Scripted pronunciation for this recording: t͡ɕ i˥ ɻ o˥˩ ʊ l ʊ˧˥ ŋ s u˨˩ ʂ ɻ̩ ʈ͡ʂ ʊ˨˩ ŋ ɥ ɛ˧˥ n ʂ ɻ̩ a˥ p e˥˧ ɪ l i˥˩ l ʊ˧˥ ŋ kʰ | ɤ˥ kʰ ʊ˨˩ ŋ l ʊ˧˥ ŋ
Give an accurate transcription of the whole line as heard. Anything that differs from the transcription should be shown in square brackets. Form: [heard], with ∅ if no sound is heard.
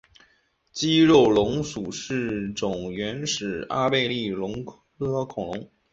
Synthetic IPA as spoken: t͡ɕ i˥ ɻ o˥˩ ʊ l ʊ˧˥ ŋ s u˨˩ ʂ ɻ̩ ʈ͡ʂ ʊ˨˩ ŋ ɥ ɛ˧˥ n ʂ ɻ̩ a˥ p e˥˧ ɪ l i˥˩ l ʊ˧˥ ŋ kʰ | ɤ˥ kʰ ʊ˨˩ ŋ l ʊ˧˥ ŋ